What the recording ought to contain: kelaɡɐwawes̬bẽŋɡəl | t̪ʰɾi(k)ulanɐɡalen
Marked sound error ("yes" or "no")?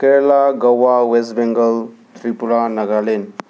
yes